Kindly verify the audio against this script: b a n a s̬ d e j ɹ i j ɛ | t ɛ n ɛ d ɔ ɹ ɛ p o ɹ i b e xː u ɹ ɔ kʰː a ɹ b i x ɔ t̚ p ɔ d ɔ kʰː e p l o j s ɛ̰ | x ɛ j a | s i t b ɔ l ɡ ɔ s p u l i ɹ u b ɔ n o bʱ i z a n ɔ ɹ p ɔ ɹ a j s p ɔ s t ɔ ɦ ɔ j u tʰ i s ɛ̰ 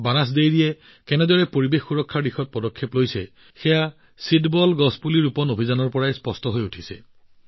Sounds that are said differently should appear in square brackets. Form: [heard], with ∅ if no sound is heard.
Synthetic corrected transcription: b a n a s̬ d e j ɹ i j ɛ | [k] ɛ n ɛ d ɔ ɹ ɛ p o ɹ i b e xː u ɹ ɔ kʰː a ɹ [d] i x ɔ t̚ p ɔ d ɔ kʰː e p l o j s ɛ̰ | x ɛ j a | s i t b ɔ l ɡ ɔ s p u l i ɹ u [p] ɔ n o bʱ i z a n ɔ ɹ p ɔ ɹ a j s p ɔ s t ɔ ɦ [o] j u tʰ i s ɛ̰